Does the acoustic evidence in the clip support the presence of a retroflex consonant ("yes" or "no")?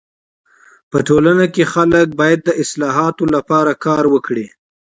yes